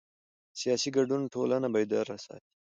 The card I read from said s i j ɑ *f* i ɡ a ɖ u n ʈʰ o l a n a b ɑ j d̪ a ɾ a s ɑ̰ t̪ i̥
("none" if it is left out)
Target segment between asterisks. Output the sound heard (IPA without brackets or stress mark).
s